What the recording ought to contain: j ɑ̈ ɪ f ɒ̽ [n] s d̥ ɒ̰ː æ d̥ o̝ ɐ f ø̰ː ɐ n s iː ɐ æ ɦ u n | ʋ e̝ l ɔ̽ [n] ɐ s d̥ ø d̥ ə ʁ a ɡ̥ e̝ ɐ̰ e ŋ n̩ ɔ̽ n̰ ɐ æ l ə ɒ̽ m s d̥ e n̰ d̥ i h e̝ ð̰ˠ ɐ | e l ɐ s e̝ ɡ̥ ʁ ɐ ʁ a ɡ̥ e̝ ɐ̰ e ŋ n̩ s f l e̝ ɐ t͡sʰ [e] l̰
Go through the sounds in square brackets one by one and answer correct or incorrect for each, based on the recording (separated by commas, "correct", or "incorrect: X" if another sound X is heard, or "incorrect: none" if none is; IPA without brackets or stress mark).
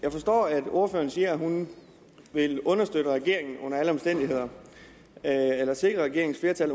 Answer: incorrect: none, correct, incorrect: æ